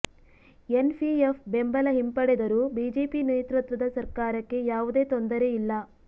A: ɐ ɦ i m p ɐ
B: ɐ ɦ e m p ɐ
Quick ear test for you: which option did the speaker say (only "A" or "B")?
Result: A